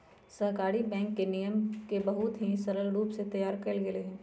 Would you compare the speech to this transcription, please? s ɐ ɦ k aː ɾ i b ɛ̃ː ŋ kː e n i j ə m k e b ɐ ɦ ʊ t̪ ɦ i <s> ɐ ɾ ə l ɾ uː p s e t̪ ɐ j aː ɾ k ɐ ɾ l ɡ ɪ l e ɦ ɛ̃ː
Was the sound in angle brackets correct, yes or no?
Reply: yes